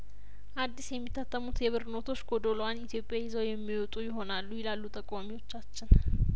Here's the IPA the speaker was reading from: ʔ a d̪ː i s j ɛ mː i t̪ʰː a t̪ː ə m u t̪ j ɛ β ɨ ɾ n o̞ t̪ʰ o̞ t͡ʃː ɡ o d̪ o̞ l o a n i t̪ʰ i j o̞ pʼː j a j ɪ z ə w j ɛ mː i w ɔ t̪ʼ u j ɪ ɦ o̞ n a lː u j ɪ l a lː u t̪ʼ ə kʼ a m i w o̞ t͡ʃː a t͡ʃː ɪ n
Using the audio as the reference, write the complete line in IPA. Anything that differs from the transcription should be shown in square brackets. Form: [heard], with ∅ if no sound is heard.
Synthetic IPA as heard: ʔ a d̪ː i s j ɛ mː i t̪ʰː a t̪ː ə m u t̪ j ɛ β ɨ ɾ n o̞ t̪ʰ o̞ t͡ʃː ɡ o d̪ o̞ l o a n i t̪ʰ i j o̞ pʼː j a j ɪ z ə w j ɛ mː i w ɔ t̪ʼ u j ɪ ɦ o̞ n a lː u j ɪ l a lː u t̪ʼ ə kʼ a m i w o̞ t͡ʃː a t͡ʃː ɪ n